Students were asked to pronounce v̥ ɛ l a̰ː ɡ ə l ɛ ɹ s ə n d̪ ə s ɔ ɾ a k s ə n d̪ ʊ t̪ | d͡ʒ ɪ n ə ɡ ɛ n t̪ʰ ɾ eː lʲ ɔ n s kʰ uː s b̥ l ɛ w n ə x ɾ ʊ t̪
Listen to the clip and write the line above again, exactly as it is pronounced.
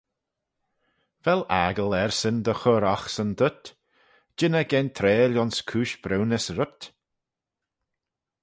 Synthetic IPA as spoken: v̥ ɛ l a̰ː ɡ ə l ɛ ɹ s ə n d̪ ə x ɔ ɾ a x s ə n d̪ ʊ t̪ | d͡ʒ ɪ n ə ɡ ɛ n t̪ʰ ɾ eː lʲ ɔ n s kʰ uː ʃ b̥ ɾ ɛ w n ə s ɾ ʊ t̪